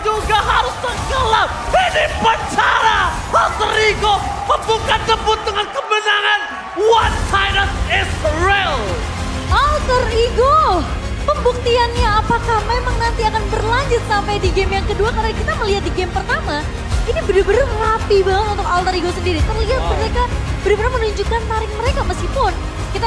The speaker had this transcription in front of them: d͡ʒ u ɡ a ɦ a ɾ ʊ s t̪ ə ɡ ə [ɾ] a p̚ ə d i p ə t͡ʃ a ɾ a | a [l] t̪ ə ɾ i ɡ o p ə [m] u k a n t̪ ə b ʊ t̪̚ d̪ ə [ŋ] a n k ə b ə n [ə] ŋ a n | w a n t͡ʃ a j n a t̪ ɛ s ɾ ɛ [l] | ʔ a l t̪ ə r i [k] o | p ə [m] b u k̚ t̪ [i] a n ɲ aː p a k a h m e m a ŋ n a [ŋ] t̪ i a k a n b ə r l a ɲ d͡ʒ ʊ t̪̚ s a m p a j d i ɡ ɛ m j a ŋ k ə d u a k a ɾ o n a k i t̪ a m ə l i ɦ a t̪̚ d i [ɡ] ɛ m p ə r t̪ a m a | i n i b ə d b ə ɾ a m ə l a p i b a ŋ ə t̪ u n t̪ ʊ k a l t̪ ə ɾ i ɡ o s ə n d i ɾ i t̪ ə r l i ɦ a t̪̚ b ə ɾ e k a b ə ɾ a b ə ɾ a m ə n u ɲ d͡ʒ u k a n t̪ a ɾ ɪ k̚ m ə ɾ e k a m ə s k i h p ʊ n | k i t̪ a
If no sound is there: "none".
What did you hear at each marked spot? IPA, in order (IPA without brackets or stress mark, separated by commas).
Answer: l, l, b, ŋ, a, l, ɡ, m, i, n, ɡ